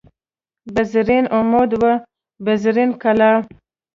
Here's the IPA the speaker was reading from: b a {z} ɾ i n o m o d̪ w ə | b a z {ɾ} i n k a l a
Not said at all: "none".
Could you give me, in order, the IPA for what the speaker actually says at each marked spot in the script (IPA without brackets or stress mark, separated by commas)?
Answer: z, ɾ